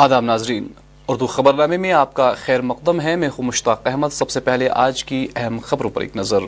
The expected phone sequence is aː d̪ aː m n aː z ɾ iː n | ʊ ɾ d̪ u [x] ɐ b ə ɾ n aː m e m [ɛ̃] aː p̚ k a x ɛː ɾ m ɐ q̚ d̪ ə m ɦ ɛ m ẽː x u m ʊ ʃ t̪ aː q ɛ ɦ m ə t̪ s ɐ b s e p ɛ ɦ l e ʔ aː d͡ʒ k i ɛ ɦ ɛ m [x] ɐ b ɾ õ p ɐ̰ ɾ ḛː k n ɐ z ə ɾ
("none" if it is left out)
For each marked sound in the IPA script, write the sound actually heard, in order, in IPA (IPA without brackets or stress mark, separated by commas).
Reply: x, ẽ, x